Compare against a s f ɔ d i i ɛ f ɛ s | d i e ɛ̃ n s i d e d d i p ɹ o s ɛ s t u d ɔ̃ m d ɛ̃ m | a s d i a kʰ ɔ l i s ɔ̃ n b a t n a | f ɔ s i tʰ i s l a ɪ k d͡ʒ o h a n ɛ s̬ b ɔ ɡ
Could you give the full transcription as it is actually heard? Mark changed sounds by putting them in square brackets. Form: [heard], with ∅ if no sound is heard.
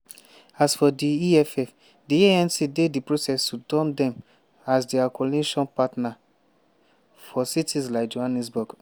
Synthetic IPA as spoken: a s f ɔ d i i ɛ f ɛ [f] | d i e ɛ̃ n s i d e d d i p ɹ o s ɛ s t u d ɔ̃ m d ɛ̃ m | a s d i a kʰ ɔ l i [ʃ] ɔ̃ n [p] a t n a | f ɔ s i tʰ i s l a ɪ k d͡ʒ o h a n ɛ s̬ b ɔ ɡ